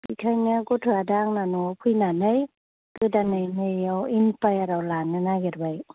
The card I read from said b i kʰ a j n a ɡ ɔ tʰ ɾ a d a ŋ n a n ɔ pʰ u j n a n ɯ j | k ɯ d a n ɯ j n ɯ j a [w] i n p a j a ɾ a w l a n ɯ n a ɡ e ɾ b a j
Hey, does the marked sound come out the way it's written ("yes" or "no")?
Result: yes